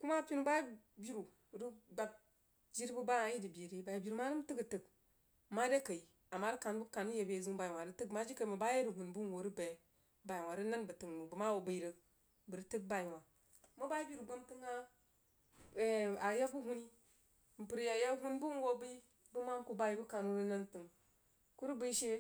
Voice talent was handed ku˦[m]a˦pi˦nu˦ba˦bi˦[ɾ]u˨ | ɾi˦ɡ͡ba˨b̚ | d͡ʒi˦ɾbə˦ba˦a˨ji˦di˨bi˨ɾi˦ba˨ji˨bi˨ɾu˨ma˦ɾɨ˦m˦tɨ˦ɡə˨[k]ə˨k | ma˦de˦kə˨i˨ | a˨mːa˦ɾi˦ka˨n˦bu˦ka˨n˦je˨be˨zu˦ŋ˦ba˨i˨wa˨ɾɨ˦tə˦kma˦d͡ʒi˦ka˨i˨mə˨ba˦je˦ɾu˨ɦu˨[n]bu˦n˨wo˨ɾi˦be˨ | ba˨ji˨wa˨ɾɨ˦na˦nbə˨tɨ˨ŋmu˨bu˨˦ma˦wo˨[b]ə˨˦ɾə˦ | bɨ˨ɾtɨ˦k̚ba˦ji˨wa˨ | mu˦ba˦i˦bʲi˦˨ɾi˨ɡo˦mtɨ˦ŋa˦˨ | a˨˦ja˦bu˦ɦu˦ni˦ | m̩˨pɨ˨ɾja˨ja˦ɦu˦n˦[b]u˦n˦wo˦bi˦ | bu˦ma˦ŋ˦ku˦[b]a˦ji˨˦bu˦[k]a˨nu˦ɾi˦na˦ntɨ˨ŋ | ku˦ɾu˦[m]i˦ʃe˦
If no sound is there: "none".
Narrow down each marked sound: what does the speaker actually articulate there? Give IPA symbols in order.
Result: m, ɾ, t, n, b, b, b, k, b

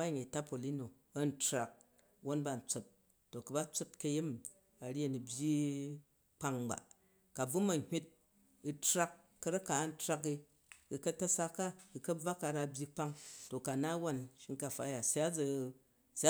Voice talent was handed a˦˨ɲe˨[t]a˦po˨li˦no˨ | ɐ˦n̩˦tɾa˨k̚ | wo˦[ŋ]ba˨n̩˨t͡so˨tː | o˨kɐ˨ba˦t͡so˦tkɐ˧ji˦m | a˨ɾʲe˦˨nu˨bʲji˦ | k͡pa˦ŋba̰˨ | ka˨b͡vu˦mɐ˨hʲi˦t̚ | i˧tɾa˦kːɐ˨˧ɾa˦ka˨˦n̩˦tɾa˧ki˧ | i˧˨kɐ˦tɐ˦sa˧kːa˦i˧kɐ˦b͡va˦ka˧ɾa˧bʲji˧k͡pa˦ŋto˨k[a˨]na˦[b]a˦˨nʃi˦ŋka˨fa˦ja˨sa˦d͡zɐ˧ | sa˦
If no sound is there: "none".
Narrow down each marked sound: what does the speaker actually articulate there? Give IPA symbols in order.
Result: t, n, a˨, w

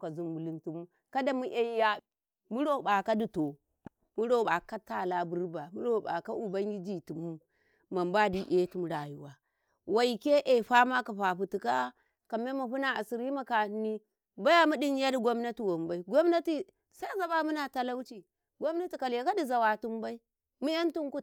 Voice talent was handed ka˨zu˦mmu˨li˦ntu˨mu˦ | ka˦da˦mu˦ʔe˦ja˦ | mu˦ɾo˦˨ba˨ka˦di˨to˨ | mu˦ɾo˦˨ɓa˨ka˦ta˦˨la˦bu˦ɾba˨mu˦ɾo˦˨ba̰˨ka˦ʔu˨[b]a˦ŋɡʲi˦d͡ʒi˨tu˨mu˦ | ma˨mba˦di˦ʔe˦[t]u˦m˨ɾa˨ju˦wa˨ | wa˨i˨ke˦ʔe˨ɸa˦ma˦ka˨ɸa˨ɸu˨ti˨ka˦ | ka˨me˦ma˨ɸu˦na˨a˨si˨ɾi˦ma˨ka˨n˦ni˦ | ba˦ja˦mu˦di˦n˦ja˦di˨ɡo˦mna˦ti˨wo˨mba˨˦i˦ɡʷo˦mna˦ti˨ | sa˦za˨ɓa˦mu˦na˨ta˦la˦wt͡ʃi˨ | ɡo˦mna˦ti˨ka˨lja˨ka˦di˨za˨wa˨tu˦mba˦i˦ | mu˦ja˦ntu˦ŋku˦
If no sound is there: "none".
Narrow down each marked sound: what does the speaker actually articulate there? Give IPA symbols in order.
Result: b, t

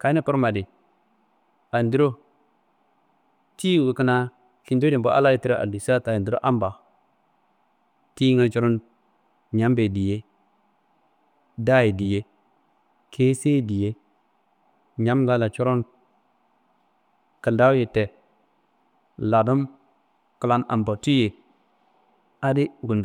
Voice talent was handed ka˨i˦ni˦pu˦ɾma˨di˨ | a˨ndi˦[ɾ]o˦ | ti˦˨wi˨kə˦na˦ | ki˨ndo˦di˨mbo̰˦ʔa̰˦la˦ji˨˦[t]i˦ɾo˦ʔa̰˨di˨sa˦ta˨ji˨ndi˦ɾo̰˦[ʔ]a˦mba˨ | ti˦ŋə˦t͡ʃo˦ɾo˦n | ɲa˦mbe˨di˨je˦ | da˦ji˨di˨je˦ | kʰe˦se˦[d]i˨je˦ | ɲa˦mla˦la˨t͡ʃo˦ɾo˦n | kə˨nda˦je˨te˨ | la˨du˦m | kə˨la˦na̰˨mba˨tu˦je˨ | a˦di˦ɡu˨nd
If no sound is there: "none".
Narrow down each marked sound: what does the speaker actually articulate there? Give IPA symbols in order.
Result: ɾ, t, ʔ, d

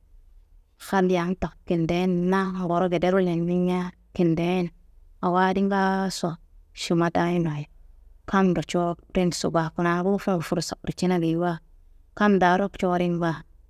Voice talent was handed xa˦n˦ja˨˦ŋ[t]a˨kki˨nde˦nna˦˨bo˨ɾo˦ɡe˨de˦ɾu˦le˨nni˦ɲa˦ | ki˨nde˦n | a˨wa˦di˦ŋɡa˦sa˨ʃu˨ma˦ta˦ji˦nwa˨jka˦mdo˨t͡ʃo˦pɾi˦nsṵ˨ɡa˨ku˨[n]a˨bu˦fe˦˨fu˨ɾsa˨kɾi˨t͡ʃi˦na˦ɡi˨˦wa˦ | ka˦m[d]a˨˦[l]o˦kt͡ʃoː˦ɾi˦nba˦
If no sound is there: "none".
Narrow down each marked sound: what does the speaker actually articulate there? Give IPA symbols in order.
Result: t, n, d, ɾ

